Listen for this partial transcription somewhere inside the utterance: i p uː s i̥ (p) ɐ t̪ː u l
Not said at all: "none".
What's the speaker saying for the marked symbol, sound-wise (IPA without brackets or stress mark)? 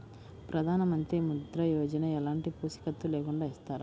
k